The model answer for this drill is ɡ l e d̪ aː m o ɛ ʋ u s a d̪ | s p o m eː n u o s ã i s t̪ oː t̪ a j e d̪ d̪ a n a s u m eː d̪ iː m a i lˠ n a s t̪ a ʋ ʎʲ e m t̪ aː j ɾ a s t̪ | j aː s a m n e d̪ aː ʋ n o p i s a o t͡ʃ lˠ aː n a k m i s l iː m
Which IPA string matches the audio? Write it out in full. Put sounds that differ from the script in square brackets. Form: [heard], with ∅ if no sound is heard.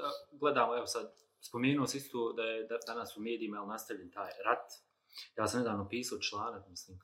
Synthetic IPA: ɡ l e d̪ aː m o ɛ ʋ [o] s a d̪ | s p o m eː n u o s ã i s t̪ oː [d̪] a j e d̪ d̪ a n a s u m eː d̪ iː m a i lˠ n a s t̪ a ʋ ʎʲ e [n] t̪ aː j ɾ a [∅] t̪ | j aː s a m n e d̪ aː ʋ n o p [iː] s a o t͡ʃ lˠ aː n a k m i s l iː m